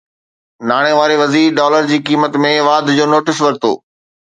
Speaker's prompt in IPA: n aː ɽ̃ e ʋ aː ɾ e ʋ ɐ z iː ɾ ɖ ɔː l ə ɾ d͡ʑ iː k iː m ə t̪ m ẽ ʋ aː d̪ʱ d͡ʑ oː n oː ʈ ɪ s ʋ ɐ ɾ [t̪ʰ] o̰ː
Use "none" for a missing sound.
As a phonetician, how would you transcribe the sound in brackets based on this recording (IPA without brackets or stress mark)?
t̪